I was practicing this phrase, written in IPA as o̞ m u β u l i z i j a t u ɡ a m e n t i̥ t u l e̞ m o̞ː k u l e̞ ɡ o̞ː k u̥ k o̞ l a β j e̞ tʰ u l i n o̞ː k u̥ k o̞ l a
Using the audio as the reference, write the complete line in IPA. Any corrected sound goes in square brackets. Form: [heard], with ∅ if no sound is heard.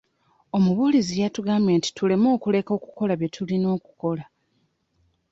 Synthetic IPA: o̞ m u β u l i z i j a t u ɡ a m e n t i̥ t u l e̞ m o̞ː k u l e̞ [k] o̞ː k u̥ k o̞ l a β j e̞ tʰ u l i n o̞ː k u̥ k o̞ l a